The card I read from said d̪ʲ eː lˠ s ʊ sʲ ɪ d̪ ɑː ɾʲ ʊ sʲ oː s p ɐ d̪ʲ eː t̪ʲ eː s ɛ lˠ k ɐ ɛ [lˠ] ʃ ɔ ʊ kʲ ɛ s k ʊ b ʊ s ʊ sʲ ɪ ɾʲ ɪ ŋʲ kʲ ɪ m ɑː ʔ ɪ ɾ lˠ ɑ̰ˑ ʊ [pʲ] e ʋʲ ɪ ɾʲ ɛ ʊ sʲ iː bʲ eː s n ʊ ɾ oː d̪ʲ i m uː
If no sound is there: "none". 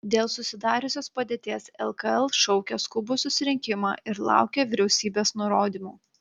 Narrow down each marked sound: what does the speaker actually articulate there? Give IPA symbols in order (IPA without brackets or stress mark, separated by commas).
lˠ, kʲ